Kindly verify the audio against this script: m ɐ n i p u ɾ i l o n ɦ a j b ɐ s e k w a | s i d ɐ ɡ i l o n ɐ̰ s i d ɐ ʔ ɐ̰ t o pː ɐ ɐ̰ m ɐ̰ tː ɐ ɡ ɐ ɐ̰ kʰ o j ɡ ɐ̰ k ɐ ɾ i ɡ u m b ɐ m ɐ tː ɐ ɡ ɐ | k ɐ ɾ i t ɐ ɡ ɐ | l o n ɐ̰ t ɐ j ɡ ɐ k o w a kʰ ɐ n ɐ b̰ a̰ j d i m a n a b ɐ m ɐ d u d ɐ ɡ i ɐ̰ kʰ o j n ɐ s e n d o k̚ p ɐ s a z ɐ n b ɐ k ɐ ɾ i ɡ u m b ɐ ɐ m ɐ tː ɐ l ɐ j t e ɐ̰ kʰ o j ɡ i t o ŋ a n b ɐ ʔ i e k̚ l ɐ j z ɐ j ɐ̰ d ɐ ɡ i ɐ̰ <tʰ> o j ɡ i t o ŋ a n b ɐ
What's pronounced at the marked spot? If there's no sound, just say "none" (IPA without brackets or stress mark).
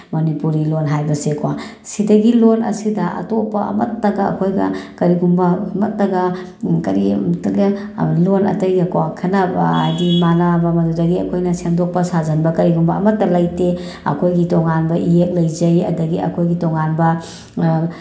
kʰ